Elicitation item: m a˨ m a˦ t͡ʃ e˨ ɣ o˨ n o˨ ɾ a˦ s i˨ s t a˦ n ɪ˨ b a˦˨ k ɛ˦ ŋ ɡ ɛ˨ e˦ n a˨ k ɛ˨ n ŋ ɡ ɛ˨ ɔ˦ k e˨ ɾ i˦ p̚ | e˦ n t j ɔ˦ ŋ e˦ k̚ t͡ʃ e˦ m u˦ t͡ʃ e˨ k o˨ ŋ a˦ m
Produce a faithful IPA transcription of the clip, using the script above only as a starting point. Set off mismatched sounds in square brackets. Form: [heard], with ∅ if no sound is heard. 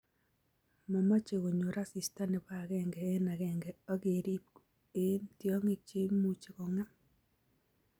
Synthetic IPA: m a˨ m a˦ t͡ʃ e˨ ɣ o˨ [ɲ] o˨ ɾ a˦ s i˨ s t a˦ n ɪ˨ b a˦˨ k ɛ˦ ŋ ɡ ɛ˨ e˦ n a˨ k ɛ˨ [∅] ŋ ɡ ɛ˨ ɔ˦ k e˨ ɾ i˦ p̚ | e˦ n t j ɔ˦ ŋ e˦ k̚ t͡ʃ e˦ m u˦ t͡ʃ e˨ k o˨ ŋ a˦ m